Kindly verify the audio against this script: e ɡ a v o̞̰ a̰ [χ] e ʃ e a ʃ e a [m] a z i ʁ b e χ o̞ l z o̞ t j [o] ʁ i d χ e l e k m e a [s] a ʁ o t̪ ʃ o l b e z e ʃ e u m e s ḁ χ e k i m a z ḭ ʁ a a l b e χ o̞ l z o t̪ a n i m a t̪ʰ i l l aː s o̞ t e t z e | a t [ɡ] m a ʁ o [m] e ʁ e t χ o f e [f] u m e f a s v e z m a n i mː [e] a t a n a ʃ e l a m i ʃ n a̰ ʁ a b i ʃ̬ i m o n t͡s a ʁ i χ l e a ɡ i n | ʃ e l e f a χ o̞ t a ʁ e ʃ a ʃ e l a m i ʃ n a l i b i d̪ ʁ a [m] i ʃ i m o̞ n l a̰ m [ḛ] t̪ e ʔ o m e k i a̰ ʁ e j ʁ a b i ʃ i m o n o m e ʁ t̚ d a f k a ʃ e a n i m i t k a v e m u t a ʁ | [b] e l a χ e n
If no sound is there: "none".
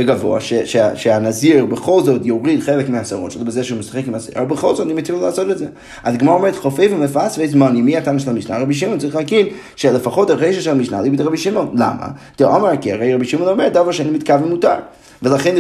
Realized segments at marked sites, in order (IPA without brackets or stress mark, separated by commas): ʃ, n, o, s, ɡ, m, v, i, b, a̰, v